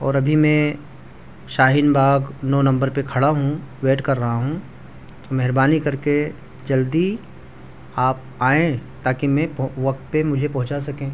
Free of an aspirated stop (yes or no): no